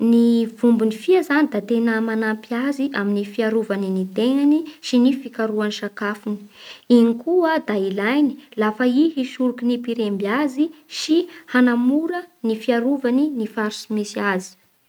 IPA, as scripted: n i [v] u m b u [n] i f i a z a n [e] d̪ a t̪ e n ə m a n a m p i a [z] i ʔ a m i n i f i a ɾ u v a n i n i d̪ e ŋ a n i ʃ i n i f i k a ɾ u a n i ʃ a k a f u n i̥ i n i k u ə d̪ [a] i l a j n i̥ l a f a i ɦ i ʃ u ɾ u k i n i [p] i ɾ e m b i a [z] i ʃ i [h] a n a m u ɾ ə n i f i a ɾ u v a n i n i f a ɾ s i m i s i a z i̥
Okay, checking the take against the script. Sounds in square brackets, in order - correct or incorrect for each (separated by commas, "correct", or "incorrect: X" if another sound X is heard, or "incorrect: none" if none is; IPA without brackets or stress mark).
correct, correct, incorrect: i, correct, correct, correct, correct, correct